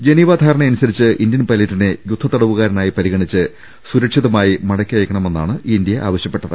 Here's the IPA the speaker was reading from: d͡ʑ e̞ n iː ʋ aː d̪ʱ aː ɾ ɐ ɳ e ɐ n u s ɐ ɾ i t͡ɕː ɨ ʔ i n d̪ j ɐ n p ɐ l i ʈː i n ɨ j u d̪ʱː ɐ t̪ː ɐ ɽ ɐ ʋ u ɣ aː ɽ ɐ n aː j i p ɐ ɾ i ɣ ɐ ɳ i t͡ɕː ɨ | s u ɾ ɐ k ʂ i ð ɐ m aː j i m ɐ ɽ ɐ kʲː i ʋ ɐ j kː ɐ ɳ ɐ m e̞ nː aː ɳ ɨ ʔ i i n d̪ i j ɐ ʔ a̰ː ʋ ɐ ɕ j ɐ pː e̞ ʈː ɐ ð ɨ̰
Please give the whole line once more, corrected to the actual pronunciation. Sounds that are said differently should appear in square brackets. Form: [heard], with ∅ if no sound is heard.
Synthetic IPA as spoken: d͡ʑ e̞ n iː ʋ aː d̪ʱ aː ɾ ɐ ɳ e ɐ n u s ɐ ɾ i t͡ɕː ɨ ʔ i n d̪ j ɐ n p ɐ l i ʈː i n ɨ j u d̪ʱː ɐ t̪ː ɐ ɽ ɐ ʋ u ɣ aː [ɾ] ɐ n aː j i p ɐ ɾ i ɣ ɐ ɳ i t͡ɕː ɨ | s u ɾ ɐ k ʂ i ð ɐ m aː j i m ɐ ɽ ɐ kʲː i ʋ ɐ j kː ɐ ɳ ɐ m e̞ nː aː ɳ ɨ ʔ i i n d̪ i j ɐ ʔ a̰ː ʋ ɐ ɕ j ɐ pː e̞ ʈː ɐ ð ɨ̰